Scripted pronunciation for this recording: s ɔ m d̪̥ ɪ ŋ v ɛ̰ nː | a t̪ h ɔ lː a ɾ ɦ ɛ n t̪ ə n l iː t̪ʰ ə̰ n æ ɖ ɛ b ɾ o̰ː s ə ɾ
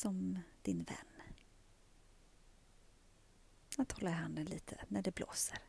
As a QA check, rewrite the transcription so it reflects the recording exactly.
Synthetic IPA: s ɔ m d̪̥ ɪ n v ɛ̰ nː | a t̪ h ɔ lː a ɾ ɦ a n d̪ ə n l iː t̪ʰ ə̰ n æ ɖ ɛ b l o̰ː s ə ɾ